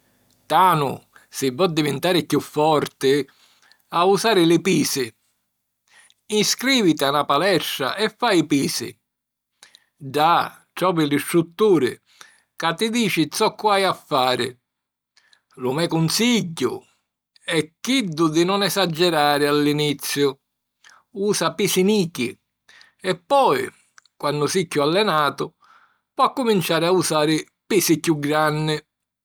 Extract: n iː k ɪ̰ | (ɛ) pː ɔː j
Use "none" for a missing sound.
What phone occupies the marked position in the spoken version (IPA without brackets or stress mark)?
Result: ɛ